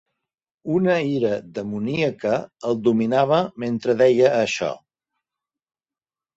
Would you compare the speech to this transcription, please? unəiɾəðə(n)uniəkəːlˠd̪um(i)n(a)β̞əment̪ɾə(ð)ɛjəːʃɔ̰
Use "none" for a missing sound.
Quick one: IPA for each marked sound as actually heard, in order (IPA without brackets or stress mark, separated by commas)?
m, i, a, ð